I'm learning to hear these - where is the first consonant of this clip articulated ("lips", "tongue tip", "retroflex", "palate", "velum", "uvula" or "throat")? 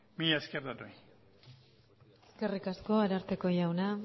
lips